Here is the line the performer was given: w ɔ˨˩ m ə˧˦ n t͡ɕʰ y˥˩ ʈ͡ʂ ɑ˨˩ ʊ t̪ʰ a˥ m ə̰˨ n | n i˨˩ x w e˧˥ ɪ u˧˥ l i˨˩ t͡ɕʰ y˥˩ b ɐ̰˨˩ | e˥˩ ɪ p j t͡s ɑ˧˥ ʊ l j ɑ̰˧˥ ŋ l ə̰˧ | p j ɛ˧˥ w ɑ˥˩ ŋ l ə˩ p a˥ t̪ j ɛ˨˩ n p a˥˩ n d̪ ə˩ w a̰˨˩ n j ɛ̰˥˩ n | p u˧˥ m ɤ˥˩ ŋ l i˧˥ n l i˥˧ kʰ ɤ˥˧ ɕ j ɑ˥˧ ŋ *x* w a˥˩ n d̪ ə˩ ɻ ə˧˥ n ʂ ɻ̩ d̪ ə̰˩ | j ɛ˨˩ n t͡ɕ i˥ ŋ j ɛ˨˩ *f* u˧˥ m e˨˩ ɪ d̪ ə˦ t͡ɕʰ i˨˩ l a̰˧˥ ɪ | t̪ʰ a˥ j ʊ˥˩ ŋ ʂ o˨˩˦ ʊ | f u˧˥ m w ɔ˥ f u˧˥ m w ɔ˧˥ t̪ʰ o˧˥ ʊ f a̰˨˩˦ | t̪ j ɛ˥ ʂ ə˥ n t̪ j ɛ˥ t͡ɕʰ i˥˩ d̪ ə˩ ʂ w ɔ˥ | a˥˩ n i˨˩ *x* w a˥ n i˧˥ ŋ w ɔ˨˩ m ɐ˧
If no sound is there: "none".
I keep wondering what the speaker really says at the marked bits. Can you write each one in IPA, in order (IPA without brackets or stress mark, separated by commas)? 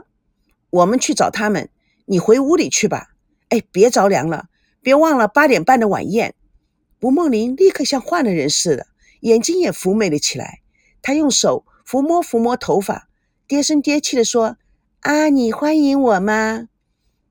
x, f, x